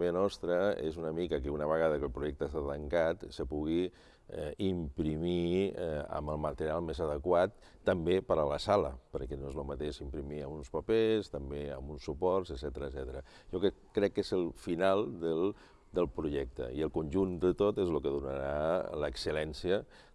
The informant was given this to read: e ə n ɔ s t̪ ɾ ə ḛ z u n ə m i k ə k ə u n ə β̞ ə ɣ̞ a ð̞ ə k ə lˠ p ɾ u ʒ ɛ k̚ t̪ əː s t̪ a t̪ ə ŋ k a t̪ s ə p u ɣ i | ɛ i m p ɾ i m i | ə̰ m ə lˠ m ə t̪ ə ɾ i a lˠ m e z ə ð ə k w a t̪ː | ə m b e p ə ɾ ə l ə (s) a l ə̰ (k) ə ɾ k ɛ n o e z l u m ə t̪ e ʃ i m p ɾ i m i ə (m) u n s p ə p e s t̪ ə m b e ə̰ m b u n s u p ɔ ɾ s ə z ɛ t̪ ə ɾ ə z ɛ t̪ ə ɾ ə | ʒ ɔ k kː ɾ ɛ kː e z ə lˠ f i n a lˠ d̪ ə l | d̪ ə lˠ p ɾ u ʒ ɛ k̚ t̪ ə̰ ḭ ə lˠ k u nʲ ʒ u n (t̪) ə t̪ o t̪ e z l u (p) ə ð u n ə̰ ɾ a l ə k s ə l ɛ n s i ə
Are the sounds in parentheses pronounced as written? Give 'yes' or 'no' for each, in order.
yes, no, yes, no, no

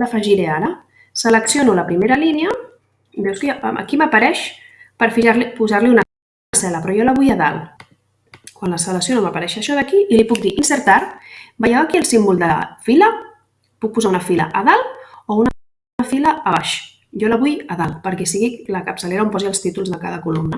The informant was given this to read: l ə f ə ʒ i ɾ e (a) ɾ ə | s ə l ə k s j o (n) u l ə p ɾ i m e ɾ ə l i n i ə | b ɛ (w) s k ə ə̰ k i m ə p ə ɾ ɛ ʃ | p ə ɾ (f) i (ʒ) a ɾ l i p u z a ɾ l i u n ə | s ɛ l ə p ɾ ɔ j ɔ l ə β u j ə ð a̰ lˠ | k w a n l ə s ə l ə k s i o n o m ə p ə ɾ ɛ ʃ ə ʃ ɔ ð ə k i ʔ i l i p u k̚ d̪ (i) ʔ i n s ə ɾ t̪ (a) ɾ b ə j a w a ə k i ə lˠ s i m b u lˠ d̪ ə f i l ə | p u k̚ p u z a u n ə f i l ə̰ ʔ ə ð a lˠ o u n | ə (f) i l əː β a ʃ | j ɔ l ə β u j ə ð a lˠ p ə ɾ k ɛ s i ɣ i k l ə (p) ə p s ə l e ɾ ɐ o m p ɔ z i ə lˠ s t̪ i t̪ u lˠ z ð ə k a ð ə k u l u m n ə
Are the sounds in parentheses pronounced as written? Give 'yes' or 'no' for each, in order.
yes, yes, yes, yes, yes, yes, yes, yes, no

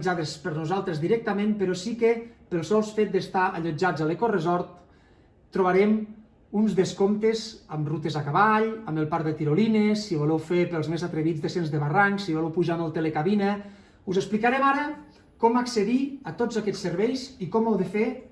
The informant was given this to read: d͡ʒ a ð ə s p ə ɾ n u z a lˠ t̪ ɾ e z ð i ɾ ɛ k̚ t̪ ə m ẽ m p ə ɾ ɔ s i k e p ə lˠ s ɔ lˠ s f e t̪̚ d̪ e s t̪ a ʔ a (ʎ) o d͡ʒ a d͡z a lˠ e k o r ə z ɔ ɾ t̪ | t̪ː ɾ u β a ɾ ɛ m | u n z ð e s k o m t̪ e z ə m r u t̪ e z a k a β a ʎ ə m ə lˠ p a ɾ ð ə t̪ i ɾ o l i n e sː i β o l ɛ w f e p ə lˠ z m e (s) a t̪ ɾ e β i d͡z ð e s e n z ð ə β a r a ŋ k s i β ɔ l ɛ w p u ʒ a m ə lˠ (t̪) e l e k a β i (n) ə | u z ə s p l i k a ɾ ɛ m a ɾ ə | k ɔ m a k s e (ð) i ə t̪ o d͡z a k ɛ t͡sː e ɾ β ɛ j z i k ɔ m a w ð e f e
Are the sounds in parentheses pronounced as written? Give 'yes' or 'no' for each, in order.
yes, no, yes, yes, yes

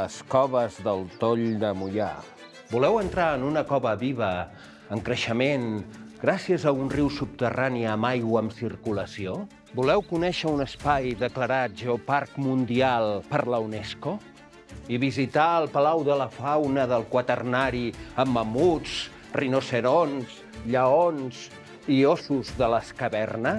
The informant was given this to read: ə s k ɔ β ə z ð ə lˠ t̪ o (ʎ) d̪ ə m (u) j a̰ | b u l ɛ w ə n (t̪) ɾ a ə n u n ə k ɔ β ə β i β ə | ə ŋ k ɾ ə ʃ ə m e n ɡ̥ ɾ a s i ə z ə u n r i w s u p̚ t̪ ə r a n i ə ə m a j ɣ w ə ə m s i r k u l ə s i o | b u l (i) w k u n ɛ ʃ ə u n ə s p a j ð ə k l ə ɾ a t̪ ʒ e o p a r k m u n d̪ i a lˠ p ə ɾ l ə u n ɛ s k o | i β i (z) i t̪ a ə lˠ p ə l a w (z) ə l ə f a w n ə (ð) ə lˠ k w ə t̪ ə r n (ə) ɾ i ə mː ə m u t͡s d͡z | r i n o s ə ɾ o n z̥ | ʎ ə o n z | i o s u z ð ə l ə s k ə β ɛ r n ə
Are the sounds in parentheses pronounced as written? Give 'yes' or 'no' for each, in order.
yes, yes, yes, no, yes, no, yes, no

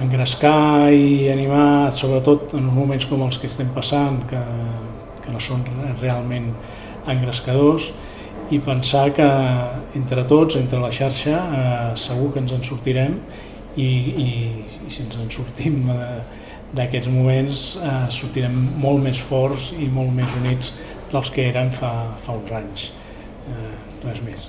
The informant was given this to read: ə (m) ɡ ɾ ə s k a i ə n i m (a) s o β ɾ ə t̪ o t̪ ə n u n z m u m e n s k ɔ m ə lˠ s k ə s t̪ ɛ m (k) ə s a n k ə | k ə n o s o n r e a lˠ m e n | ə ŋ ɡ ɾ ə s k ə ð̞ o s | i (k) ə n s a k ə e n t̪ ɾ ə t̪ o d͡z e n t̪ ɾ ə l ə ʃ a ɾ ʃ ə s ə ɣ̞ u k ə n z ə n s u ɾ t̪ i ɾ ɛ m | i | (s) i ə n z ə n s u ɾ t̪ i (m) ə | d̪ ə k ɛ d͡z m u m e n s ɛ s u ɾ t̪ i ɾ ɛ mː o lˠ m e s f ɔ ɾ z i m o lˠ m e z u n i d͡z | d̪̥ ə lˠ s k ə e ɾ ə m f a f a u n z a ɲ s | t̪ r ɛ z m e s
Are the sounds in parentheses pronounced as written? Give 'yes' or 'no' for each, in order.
no, yes, no, no, yes, yes

